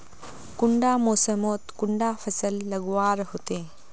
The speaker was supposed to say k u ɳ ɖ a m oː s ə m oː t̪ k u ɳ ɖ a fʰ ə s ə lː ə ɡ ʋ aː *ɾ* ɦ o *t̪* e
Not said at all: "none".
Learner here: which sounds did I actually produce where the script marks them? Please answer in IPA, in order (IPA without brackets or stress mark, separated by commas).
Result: ɾ, t̪